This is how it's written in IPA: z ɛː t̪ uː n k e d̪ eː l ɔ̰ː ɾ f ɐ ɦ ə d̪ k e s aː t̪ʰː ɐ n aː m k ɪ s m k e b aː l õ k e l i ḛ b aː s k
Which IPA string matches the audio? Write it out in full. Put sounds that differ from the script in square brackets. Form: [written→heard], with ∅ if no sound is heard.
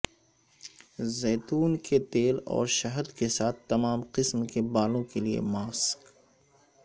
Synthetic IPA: z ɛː t̪ uː n k e [d̪→t̪] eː l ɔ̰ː ɾ [f→ʃ] ɐ ɦ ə d̪ k e s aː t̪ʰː ɐ [n→m] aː m [k→q] ɪ s m k e b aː l õ k e l i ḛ [b→m] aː s k